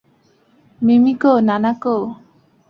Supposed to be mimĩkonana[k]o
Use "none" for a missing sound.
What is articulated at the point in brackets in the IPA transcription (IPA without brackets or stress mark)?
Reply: k